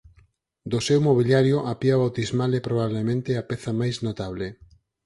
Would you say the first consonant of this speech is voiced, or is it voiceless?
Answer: voiced